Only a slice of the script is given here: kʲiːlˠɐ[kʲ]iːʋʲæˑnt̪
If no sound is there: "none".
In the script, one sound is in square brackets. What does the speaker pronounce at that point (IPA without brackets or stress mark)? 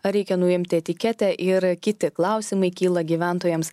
ɡʲ